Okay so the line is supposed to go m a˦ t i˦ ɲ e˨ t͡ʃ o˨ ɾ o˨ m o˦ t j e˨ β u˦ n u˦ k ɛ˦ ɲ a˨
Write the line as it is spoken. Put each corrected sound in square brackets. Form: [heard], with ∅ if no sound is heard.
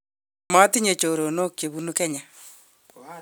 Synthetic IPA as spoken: m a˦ t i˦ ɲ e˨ t͡ʃ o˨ ɾ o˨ [n] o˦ [k] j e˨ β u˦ n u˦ k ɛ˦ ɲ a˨